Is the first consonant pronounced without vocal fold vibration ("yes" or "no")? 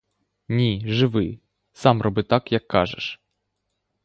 no